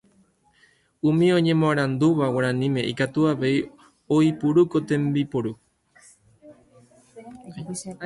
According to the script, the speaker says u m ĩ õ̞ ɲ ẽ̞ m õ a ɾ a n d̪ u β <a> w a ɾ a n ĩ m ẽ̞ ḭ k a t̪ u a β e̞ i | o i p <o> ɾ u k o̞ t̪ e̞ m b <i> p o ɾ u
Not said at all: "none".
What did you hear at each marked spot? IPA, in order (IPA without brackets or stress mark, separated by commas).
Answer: a, u, i